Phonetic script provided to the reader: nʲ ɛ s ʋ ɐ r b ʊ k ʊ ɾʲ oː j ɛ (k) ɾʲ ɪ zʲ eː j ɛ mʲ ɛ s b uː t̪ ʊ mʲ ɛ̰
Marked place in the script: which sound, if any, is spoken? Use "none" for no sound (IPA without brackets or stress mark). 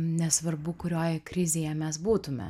k